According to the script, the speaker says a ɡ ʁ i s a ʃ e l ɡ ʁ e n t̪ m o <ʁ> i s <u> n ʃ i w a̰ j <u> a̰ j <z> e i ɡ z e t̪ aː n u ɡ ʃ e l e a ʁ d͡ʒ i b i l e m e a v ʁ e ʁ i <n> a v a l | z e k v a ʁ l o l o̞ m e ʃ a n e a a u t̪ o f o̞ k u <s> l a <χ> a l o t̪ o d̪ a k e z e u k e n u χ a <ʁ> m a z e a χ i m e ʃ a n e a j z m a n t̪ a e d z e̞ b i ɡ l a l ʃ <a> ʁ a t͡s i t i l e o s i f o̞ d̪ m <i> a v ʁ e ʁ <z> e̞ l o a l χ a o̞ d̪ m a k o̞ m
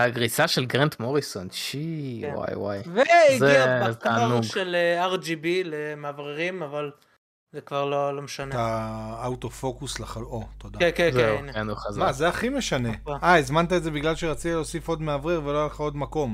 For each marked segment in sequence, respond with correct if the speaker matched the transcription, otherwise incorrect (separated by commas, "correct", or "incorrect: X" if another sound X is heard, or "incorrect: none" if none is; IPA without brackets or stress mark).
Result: correct, incorrect: o, incorrect: w, incorrect: v, incorrect: m, correct, correct, incorrect: z, incorrect: e, incorrect: e, incorrect: v